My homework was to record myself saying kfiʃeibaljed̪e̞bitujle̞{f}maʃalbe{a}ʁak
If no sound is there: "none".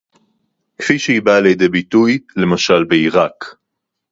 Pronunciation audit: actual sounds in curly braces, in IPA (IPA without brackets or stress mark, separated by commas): none, i